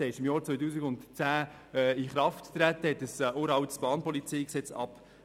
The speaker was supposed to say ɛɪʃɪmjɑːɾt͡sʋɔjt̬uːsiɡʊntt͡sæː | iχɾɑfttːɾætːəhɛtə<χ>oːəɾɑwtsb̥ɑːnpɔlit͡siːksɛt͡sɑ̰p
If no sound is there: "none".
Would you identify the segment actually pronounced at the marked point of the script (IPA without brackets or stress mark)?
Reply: s